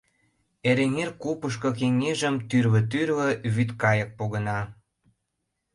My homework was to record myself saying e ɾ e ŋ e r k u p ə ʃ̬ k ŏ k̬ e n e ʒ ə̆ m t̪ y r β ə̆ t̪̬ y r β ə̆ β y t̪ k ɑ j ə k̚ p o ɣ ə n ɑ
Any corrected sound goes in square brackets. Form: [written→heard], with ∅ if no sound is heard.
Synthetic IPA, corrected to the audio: e ɾ e ŋ e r k u p ə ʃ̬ k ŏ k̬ e [n→ŋ] e ʒ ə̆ m t̪ y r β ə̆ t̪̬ y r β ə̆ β y t̪ k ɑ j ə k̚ p o ɣ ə n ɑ